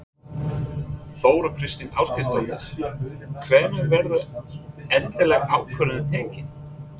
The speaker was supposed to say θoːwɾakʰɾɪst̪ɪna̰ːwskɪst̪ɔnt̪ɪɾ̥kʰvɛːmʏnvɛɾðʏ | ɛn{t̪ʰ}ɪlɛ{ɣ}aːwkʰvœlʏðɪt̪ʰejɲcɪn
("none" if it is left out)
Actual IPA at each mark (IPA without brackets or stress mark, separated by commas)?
t̪, ɣ